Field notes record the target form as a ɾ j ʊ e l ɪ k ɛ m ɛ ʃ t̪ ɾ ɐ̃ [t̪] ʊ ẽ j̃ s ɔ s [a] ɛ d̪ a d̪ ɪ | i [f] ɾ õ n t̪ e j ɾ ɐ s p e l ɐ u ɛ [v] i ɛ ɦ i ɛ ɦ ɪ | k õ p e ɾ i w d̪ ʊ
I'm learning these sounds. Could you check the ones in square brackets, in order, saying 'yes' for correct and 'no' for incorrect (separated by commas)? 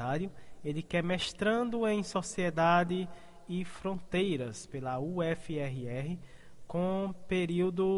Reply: no, no, yes, no